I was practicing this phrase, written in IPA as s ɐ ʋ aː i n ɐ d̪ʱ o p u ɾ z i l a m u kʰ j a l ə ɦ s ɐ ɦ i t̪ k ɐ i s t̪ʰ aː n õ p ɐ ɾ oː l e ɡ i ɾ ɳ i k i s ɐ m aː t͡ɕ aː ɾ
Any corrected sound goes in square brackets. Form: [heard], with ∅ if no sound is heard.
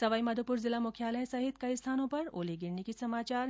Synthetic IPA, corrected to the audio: s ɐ ʋ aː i [m] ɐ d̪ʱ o p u ɾ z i l a m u kʰ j a l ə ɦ s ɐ ɦ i t̪ k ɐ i s t̪ʰ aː n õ p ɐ ɾ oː l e ɡ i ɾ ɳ i k i s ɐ m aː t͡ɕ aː ɾ